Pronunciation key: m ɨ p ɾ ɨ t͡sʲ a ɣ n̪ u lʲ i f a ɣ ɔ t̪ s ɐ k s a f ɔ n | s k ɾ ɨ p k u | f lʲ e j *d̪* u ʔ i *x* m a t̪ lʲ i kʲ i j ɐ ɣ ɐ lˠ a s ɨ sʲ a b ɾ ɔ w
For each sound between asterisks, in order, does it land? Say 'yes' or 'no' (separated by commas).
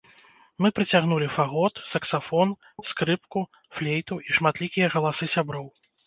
no, no